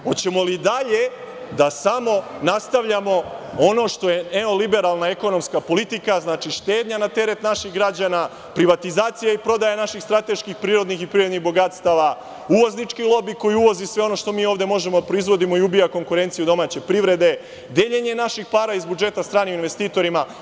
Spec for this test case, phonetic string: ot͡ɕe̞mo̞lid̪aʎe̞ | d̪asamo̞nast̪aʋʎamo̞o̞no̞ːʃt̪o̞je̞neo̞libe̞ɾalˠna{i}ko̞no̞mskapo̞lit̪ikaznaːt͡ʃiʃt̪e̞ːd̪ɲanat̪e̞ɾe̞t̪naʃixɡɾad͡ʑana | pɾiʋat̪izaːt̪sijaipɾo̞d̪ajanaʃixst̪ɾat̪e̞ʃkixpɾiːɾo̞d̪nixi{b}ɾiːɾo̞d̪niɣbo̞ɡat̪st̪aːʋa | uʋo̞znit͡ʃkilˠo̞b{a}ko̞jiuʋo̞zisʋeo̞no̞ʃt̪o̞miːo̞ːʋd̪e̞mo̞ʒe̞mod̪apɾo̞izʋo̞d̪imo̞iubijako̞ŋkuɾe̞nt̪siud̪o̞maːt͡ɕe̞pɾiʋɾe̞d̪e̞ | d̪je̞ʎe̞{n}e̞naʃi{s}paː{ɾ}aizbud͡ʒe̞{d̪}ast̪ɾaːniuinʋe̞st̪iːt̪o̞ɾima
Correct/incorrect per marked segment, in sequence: incorrect: e, incorrect: p, incorrect: i, incorrect: ɲ, incorrect: x, correct, incorrect: t̪

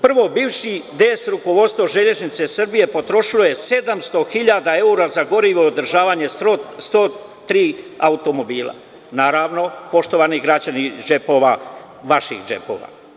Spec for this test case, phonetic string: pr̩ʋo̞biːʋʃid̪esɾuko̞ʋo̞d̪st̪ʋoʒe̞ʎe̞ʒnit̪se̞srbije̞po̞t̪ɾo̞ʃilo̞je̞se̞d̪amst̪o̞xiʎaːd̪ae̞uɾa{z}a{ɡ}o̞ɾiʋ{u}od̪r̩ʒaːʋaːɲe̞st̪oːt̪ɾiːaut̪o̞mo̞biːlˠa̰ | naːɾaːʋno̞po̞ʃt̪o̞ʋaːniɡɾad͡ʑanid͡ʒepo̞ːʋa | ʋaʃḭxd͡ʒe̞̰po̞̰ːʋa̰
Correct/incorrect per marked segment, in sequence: correct, correct, incorrect: o

